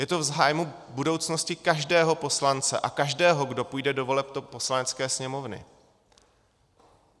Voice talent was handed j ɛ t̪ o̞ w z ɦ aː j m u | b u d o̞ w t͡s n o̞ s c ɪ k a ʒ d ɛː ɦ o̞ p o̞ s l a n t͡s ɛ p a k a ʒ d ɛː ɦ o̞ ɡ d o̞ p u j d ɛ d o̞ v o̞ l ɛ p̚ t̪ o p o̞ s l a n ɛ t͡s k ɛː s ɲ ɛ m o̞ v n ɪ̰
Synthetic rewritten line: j ɛ t̪ o̞ v z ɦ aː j m u | b u d o̞ w t͡s n o̞ s c ɪ k a ʒ d ɛː ɦ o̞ p o̞ s l a n t͡s ɛ ʔ a k a ʒ d ɛː ɦ o̞ ɡ d o̞ p u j d ɛ d o̞ v o̞ l ɛ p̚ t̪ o p o̞ s l a n ɛ t͡s k ɛː s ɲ ɛ m o̞ v n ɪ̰